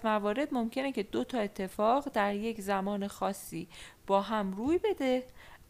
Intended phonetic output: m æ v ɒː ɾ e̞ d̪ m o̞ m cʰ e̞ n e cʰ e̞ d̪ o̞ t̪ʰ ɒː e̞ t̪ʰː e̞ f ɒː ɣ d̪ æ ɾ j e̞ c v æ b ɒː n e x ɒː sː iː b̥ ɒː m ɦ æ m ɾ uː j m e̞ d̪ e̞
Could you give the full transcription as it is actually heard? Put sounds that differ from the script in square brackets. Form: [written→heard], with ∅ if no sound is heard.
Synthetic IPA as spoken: m æ v ɒː ɾ e̞ d̪ m o̞ m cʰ e̞ n e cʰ e̞ d̪ o̞ t̪ʰ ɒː e̞ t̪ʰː e̞ f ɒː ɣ d̪ æ ɾ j e̞ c [v→z] æ [b→m] ɒː n e x ɒː sː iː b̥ ɒː [m→∅] ɦ æ m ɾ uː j [m→b] e̞ d̪ e̞